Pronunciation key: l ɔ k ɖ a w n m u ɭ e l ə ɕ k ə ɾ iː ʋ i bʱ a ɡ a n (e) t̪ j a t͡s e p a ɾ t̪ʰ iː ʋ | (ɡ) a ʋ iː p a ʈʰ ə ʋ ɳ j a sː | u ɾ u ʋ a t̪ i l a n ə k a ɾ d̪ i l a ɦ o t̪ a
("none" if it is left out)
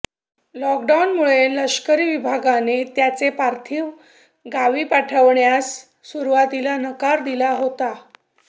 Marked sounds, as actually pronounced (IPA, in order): e, ɡ

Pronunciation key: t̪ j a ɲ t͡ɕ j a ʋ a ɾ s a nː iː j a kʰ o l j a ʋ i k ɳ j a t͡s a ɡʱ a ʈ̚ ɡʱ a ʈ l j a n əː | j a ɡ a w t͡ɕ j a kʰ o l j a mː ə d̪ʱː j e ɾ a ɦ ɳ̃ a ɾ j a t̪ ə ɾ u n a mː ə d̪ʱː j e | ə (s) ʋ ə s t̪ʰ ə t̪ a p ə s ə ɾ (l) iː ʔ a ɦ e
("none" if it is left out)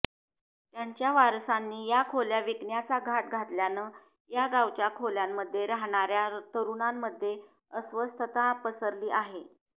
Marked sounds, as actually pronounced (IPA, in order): s, l

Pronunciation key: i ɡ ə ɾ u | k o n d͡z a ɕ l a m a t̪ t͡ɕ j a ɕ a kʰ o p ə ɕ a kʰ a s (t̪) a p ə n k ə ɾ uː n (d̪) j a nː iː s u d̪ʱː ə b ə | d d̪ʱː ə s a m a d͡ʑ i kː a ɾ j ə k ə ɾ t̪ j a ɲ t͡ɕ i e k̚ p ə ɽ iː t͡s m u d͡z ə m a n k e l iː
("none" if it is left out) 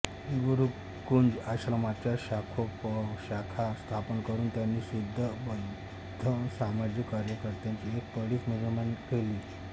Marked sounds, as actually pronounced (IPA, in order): t̪ʰ, t̪

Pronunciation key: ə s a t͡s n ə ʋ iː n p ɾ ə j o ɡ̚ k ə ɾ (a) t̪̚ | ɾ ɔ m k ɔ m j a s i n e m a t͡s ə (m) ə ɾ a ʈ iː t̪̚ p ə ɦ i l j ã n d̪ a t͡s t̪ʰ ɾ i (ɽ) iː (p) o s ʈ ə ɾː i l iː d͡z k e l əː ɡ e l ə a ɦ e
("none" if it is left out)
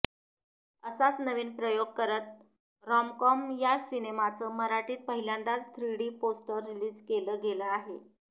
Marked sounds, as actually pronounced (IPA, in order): ə, m, ɽ, p

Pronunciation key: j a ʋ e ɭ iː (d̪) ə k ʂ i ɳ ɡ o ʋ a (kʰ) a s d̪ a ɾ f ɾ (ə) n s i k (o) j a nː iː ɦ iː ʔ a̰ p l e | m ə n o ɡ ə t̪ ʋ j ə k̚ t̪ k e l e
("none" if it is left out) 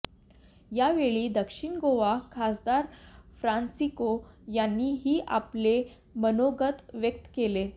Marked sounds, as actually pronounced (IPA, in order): d̪, kʰ, a, o

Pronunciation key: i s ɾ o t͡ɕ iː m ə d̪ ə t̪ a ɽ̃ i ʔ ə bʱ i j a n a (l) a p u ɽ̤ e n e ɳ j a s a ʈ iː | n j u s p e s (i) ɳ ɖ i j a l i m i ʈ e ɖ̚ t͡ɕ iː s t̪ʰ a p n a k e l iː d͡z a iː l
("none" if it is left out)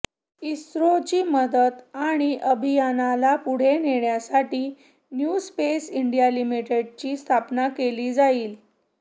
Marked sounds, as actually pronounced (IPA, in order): l, i

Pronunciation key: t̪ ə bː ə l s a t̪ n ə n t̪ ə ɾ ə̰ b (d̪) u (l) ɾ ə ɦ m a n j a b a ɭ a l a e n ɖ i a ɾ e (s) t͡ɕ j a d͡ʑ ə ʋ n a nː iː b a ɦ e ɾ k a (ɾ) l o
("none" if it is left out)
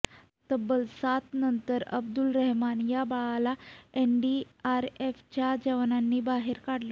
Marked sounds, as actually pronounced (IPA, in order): d̪, l, f, ɽ

